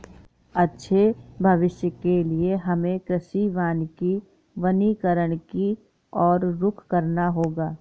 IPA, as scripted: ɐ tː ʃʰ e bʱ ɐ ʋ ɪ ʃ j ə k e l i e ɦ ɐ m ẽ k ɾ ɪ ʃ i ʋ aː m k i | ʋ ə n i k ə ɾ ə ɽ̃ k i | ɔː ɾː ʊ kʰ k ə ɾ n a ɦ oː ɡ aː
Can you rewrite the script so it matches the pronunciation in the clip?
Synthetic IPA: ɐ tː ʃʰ e bʱ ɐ ʋ ɪ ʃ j ə k e l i e ɦ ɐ m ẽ k ɾ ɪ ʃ i ʋ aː n k i | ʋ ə n i k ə ɾ ə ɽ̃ k i | ɔː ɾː ʊ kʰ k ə ɾ n a ɦ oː ɡ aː